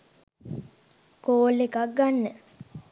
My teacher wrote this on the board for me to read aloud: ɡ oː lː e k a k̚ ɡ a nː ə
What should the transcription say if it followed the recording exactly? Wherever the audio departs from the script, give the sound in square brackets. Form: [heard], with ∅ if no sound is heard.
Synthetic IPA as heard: [k] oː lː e k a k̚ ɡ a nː ə